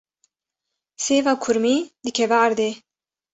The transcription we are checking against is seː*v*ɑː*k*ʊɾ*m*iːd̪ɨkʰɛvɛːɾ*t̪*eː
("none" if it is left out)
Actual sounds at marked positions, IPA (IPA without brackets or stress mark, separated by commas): v, kʰ, m, d̪